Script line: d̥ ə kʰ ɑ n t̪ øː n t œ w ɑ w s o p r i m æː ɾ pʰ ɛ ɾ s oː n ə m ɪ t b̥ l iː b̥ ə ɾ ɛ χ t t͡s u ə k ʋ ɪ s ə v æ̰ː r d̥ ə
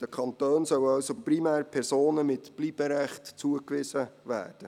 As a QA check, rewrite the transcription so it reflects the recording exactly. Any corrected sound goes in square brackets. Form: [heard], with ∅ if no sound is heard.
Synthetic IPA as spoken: d̥ ə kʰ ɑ n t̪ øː n [s] œ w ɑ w s o p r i m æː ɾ pʰ ɛ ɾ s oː n ə m ɪ t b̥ l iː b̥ ə ɾ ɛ χ t t͡s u ə k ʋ ɪ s ə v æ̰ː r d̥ ə